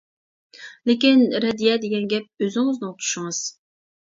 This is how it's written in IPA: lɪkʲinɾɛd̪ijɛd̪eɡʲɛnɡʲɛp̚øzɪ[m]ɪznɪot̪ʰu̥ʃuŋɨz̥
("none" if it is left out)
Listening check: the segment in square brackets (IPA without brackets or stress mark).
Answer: ŋ